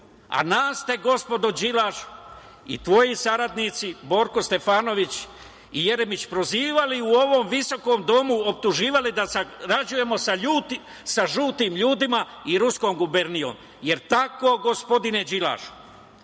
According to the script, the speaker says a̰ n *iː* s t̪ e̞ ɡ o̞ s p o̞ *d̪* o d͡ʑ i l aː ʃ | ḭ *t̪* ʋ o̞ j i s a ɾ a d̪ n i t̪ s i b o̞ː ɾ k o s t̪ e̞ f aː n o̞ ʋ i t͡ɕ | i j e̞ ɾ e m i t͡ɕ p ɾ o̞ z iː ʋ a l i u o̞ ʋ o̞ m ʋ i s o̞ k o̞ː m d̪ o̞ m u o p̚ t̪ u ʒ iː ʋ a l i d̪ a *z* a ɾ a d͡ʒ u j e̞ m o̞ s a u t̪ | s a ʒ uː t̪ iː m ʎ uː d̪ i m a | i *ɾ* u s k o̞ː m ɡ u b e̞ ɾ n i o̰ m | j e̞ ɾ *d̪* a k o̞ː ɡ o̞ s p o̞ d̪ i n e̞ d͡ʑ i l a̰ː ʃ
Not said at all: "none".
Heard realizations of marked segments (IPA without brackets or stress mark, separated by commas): aː, d̪, t̪, s, ɾ, t̪